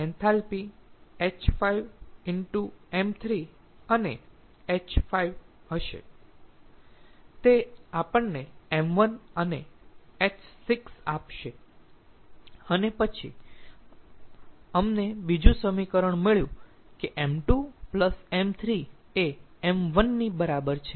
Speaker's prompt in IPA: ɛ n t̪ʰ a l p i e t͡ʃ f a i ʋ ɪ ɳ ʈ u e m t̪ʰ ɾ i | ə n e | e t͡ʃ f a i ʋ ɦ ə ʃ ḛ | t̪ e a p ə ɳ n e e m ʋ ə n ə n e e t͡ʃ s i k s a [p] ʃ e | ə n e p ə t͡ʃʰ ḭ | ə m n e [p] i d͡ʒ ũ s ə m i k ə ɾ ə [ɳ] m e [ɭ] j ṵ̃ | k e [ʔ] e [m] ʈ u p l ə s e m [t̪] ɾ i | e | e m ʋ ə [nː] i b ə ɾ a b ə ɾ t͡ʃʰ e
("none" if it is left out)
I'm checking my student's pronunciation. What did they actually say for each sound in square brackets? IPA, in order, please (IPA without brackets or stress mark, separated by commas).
p, b, ɳ, ɭ, ʔ, m, t̪ʰ, nː